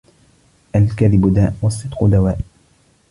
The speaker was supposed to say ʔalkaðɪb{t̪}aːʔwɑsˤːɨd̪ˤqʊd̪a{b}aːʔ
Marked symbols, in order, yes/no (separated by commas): no, no